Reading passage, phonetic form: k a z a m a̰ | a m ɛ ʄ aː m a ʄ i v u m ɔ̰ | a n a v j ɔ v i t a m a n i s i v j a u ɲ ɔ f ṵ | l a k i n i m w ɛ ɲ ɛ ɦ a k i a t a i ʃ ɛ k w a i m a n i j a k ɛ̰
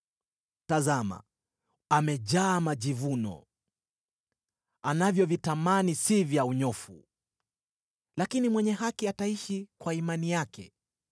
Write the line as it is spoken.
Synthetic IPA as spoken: t a z a m a̰ | a m ɛ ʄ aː m a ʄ i v u n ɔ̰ | a n a v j ɔ v i t a m a n i s i v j a u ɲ ɔ f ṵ | l a k i n i m w ɛ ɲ ɛ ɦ a k i a t a i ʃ i k w a i m a n i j a k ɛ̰